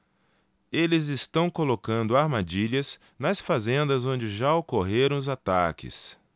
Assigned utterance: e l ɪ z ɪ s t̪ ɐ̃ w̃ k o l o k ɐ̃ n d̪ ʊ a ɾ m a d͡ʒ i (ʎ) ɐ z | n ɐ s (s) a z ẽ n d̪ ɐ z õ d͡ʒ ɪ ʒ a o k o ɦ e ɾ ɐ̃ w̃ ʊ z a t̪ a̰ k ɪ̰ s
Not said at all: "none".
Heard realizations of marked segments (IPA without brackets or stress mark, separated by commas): ʎ, f